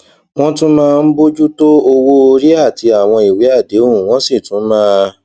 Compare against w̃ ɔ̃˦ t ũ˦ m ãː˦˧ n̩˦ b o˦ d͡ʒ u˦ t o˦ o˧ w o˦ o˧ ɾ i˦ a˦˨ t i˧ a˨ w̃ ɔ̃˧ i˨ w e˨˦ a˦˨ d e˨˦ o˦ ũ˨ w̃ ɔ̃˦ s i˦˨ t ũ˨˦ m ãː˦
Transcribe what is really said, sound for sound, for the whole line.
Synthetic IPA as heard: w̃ ɔ̃˦ t ũ˦ m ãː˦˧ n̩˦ b o˦ d͡ʒ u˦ t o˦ o˧ w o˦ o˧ ɾ i˦ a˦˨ t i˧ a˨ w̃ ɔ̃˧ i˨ w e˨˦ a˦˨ d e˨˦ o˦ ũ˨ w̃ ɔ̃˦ s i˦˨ t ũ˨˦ m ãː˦